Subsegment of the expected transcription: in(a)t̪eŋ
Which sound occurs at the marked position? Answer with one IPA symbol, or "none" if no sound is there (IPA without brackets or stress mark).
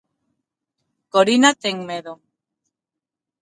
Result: a